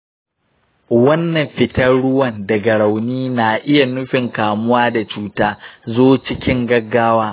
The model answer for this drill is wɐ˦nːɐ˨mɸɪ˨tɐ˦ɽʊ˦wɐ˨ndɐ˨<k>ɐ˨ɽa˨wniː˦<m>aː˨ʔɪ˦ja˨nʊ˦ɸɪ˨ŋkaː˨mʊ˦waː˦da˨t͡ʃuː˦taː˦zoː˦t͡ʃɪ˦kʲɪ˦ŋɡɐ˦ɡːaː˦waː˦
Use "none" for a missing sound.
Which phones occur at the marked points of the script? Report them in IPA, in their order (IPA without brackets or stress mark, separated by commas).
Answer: ɡ, n